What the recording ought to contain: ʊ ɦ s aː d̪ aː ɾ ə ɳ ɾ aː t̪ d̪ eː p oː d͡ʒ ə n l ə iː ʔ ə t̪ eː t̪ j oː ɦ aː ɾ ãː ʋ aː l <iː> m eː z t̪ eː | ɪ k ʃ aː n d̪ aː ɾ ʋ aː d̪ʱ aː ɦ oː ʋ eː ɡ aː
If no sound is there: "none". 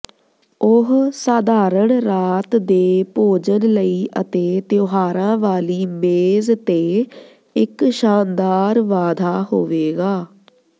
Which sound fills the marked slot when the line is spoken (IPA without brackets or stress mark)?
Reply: iː